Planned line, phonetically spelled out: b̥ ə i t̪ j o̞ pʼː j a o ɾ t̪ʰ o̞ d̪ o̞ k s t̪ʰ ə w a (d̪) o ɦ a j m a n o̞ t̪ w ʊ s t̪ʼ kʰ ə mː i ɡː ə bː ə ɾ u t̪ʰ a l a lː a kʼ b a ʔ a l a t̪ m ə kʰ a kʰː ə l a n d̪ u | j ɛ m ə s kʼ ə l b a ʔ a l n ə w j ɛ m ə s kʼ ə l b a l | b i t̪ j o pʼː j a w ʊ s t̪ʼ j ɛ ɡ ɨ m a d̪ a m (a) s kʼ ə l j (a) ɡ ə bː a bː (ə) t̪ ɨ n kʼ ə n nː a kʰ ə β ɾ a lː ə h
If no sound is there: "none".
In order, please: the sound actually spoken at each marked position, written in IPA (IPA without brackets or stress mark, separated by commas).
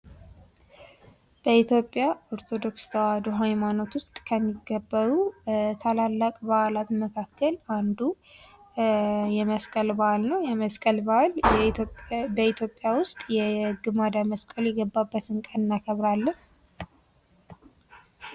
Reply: d̪, ə, ɛ, ə